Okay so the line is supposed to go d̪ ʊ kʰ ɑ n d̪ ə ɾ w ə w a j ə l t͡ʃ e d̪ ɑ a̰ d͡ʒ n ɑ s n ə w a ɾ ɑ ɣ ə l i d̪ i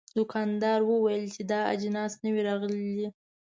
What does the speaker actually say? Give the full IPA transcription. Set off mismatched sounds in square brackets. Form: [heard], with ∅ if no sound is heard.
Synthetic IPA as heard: d̪ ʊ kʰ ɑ n d̪ [ɑ] ɾ w ə w a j ə l t͡ʃ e d̪ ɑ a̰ d͡ʒ n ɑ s n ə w [i] ɾ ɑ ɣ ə l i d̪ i